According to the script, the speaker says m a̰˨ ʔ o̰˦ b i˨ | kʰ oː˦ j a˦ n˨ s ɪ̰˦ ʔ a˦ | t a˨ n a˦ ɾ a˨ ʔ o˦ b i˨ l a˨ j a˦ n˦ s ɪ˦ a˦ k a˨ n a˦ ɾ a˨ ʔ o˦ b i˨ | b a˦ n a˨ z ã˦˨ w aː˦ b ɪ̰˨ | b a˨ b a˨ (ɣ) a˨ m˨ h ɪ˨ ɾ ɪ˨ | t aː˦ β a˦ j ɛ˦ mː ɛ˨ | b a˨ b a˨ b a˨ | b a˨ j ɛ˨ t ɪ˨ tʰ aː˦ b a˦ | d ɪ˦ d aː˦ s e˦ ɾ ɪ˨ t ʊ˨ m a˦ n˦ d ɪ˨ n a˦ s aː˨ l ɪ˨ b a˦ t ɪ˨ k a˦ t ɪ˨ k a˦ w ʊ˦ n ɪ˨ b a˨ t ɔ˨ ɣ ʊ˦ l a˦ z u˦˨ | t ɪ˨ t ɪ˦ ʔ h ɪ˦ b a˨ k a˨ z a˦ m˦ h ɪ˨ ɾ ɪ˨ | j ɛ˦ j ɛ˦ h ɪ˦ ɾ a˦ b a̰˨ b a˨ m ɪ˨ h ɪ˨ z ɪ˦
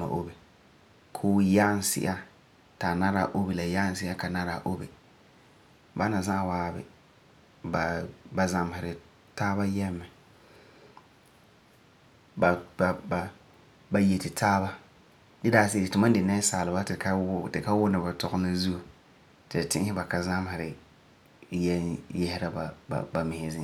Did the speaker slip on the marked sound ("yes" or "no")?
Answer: yes